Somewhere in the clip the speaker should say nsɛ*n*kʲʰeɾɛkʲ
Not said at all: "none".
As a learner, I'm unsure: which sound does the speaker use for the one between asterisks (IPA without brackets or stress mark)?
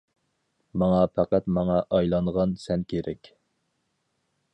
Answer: n